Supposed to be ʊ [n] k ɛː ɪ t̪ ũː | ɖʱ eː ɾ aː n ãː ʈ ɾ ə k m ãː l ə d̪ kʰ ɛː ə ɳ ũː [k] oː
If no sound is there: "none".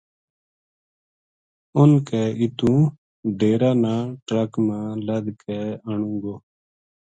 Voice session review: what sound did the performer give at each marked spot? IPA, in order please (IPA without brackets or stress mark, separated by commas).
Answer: n, ɡ